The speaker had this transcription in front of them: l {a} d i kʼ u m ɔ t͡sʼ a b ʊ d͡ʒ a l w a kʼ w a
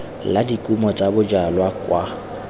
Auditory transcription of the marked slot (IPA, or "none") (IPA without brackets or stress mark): a